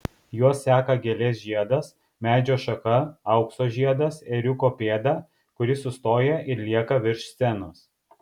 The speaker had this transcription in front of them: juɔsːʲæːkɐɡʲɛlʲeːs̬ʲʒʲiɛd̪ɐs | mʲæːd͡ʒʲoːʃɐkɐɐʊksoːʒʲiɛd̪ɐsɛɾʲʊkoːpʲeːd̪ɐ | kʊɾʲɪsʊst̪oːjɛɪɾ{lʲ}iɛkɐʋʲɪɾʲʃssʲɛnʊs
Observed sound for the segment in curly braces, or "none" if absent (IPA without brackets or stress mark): lʲ